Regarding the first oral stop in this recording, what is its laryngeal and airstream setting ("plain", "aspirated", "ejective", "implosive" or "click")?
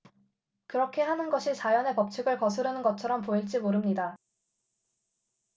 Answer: plain